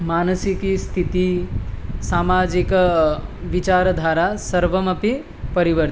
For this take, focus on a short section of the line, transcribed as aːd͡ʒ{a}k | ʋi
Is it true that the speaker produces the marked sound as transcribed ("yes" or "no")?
no